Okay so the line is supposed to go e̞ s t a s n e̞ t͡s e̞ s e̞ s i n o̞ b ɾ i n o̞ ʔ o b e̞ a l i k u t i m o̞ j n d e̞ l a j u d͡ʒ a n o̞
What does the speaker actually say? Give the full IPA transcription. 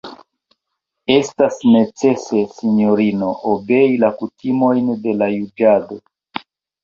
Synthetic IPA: e̞ s t a s n e̞ t͡s e̞ s e̞ s i n o̞ ɾ i n o̞ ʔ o b e̞ i l a k u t i m o̞ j n d e̞ l a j u d͡ʒ a d o̞